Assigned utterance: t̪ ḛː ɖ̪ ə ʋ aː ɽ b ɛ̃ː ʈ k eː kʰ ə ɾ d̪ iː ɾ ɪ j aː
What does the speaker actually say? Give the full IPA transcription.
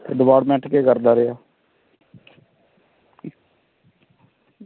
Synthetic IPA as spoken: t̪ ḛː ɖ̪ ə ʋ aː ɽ m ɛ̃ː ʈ k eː k ə ɾ d̪ aː ɾ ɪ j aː